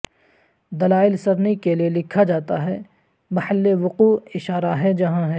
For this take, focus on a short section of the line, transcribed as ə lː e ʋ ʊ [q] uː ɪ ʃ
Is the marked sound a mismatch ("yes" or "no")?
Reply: no